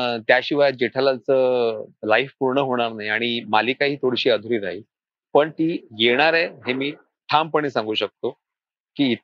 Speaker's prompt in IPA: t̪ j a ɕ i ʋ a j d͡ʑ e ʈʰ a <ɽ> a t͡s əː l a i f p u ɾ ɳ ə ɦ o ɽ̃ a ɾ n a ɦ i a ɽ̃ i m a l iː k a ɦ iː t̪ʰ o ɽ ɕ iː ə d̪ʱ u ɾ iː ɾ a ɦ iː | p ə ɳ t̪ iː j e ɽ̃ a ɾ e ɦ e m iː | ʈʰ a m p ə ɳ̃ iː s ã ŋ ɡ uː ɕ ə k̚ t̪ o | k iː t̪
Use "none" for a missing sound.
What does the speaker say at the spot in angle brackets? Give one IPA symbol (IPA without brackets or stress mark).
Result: l